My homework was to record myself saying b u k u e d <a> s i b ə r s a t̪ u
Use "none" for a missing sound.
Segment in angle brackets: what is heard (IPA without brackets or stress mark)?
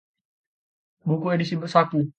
i